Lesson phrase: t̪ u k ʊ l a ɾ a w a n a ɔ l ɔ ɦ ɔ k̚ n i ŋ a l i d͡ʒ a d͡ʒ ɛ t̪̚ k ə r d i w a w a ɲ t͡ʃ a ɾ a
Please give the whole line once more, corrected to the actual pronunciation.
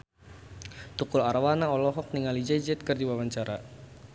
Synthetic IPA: t̪ u k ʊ l a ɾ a w a n a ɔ l ɔ ɦ ɔ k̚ n i ŋ a l i d͡ʒ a d͡ʒ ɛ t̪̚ k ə r d i w a w a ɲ t͡ʃ a ɾ a